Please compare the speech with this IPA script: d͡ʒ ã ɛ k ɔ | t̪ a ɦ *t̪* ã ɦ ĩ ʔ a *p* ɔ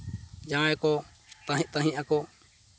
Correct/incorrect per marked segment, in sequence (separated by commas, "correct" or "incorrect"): correct, incorrect